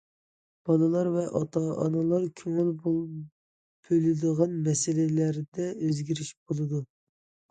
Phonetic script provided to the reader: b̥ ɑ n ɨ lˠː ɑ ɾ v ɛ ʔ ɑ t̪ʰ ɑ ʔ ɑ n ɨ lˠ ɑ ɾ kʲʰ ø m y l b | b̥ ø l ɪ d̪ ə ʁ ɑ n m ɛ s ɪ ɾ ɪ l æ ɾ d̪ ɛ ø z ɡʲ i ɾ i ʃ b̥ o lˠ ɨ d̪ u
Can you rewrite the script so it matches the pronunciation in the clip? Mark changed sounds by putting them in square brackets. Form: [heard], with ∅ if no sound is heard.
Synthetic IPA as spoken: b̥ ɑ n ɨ [lˠ] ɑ ɾ v ɛ ʔ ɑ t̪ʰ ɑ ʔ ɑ n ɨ lˠ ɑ ɾ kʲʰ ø [ŋ] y l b | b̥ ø l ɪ d̪ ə ʁ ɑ n m ɛ s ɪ [l] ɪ l æ ɾ d̪ ɛ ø z ɡʲ i ɾ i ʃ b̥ o lˠ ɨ d̪ u

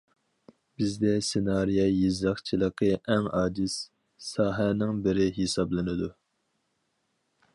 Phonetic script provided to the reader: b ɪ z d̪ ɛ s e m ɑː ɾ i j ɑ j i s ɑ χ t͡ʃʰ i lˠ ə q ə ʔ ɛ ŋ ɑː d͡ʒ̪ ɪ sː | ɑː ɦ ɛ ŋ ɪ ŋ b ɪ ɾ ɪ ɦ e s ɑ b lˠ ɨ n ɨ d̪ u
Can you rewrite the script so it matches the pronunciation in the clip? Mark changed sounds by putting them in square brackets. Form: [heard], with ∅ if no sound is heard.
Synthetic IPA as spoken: b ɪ z d̪ ɛ s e [n] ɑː ɾ i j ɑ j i [z] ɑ χ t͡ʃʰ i lˠ ə q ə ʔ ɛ ŋ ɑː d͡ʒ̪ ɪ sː | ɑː ɦ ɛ [n] ɪ ŋ b ɪ ɾ ɪ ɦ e s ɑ b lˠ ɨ n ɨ d̪ u

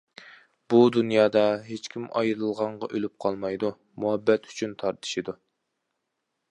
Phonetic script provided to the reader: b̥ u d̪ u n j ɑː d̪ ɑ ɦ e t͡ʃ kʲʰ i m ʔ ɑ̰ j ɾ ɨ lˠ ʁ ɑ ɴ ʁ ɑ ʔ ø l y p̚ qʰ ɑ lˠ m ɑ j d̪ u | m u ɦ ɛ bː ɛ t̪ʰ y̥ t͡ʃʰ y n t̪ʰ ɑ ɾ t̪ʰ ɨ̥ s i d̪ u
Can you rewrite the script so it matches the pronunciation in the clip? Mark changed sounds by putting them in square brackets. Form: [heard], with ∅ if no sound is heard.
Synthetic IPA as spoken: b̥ u d̪ u n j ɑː d̪ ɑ ɦ e t͡ʃ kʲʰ i m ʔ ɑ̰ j ɾ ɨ lˠ ʁ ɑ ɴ ʁ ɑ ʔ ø l y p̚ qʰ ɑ lˠ m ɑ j d̪ u | m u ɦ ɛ bː ɛ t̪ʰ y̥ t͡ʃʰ y n t̪ʰ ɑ ɾ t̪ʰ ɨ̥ [ʃ] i d̪ u

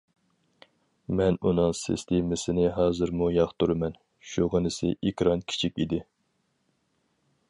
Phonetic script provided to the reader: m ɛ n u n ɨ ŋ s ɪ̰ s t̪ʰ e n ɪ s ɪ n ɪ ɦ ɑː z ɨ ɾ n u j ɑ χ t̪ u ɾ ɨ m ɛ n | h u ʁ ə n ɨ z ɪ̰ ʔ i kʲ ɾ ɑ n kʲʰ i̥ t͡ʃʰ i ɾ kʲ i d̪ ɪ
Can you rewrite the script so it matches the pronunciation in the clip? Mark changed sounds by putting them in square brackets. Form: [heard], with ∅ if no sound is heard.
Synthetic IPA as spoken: m ɛ n u n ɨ ŋ s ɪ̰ s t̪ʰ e [m] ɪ s ɪ n ɪ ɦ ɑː z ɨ ɾ [m] u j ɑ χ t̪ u ɾ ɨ m ɛ n | [ʃ] u ʁ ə n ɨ [s] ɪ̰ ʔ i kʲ ɾ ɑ n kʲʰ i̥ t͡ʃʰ i [∅] kʲ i d̪ ɪ

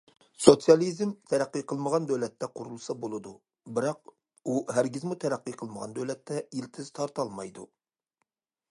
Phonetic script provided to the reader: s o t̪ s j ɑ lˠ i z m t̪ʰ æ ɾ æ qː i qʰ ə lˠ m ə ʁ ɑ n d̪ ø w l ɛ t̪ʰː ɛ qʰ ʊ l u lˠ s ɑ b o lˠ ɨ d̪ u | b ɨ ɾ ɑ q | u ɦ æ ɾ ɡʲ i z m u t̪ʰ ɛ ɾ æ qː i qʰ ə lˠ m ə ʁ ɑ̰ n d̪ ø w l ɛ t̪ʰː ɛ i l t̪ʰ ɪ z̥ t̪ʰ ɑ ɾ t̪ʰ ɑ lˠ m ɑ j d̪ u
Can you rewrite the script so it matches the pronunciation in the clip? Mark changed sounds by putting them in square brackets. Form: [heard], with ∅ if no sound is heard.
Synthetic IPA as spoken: s o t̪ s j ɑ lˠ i z m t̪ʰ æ ɾ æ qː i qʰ ə lˠ m ə ʁ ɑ n d̪ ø w l ɛ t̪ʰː ɛ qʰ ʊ [ɾ] u lˠ s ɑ b o lˠ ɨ d̪ u | b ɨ ɾ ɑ q | u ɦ æ ɾ ɡʲ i z m u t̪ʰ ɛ ɾ æ qː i qʰ ə lˠ m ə ʁ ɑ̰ n d̪ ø w l ɛ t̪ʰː ɛ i l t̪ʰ ɪ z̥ t̪ʰ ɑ ɾ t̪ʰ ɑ lˠ m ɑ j d̪ u

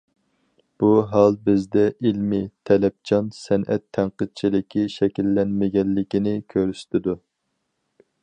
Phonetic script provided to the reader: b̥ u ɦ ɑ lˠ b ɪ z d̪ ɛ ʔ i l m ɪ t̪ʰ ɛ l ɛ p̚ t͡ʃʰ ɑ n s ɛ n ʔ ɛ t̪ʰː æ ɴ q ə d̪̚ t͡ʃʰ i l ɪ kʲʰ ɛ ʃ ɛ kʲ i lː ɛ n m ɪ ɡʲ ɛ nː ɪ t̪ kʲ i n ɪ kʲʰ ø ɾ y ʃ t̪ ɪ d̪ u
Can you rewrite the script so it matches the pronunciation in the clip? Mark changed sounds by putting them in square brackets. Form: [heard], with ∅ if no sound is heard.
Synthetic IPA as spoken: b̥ u ɦ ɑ lˠ b ɪ z d̪ ɛ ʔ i l m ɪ t̪ʰ ɛ l ɛ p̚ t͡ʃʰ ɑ n s ɛ n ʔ ɛ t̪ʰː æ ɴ q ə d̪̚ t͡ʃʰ i l ɪ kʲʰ [i] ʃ ɛ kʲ i lː ɛ n m ɪ ɡʲ ɛ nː ɪ [∅] kʲ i n ɪ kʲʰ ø ɾ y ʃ t̪ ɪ d̪ u

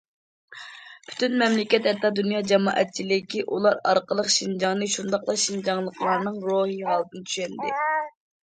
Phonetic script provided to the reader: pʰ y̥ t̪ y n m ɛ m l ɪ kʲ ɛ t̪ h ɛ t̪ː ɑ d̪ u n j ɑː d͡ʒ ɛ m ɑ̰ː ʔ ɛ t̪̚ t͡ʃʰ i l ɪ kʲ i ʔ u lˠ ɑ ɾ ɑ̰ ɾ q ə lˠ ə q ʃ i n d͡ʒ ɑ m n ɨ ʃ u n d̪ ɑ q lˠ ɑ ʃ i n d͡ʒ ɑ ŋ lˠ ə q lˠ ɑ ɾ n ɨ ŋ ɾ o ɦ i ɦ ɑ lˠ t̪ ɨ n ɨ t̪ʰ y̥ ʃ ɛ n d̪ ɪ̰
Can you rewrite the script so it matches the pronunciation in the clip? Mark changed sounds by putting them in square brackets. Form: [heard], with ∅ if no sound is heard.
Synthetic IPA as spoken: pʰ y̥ t̪ y n m ɛ m l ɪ kʲ ɛ t̪ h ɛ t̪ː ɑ d̪ u n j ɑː d͡ʒ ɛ m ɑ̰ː ʔ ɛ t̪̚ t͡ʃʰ i l ɪ kʲ i ʔ u lˠ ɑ ɾ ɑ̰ ɾ q ə lˠ ə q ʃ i n d͡ʒ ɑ [ŋ] n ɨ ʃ u n d̪ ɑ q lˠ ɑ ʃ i n d͡ʒ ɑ ŋ lˠ ə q lˠ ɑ ɾ n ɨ ŋ ɾ o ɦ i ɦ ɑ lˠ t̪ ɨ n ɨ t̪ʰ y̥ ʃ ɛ n d̪ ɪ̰

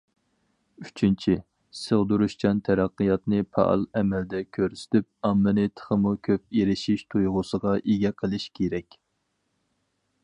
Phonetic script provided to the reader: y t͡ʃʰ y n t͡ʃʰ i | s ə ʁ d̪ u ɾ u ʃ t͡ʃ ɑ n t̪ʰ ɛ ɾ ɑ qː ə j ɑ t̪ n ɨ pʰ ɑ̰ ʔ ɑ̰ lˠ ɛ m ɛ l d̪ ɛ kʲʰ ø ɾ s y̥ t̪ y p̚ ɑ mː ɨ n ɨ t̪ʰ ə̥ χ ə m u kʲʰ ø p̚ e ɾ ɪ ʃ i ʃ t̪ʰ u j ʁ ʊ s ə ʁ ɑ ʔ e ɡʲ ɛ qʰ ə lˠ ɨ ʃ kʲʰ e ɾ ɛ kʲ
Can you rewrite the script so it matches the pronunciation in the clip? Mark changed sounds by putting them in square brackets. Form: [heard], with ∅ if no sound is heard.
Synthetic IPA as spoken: y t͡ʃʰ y n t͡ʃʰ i | s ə ʁ d̪ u ɾ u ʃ t͡ʃ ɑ n t̪ʰ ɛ ɾ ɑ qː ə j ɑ t̪ n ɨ pʰ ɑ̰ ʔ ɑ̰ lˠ ɛ m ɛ l d̪ ɛ kʲʰ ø ɾ s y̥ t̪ y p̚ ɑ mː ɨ n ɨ t̪ʰ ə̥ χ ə m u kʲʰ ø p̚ e ɾ ɪ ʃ i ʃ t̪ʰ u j ʁ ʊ s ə ʁ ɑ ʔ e ɡʲ ɛ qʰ ə lˠ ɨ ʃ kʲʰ e ɾ ɛ kʲ

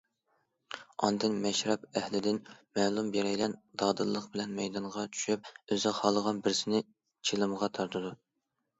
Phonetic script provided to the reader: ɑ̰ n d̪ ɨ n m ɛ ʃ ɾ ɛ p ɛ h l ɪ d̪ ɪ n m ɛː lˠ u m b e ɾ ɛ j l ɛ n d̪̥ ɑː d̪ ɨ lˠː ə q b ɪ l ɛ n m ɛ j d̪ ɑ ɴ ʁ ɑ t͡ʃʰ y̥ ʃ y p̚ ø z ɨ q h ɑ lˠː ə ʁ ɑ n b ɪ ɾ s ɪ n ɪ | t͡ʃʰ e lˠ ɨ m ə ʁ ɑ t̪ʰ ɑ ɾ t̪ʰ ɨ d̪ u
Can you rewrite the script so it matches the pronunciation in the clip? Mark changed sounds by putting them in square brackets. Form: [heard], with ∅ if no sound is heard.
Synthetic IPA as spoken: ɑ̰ n d̪ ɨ n m ɛ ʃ ɾ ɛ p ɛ h l ɪ d̪ ɪ n m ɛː lˠ u m b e ɾ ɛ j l ɛ n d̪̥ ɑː d̪ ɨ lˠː ə q b ɪ l ɛ n m ɛ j d̪ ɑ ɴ ʁ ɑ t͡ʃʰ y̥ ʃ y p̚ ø z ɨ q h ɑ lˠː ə ʁ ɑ n b ɪ ɾ s ɪ n ɪ | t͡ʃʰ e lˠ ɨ m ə ʁ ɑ t̪ʰ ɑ ɾ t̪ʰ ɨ d̪ u

